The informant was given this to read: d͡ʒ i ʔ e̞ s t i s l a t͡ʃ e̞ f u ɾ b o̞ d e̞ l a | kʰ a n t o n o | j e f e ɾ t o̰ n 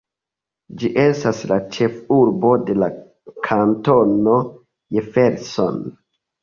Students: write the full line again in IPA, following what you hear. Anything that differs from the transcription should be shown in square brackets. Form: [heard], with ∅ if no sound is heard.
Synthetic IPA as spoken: d͡ʒ i ʔ e̞ s t [a] s l a t͡ʃ e̞ f u ɾ b o̞ d e̞ l a | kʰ a n t o n o | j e f e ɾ [s] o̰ n